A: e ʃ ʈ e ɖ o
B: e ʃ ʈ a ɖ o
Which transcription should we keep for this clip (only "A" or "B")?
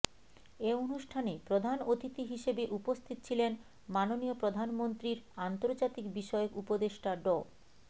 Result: B